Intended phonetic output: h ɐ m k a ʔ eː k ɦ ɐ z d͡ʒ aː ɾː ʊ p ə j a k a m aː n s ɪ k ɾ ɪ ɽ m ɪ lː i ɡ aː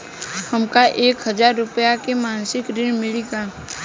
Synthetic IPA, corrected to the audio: h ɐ m k a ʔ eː k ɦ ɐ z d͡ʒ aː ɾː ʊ p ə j a k e m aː n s ɪ k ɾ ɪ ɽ m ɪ l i ɡ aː